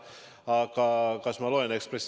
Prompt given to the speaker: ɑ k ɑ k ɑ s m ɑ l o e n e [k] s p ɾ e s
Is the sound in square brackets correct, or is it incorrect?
correct